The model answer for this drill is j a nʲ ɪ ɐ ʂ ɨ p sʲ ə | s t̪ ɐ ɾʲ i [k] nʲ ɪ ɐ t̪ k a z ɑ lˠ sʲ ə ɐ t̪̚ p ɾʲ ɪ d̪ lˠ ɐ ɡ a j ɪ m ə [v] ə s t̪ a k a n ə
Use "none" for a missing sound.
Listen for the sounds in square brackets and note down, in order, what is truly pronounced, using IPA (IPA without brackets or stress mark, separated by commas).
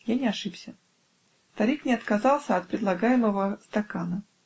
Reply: k, v